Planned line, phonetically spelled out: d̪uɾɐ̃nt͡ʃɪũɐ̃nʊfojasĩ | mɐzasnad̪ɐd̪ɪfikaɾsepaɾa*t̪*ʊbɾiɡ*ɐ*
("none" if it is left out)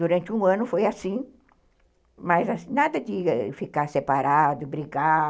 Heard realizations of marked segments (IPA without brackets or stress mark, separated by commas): d̪, a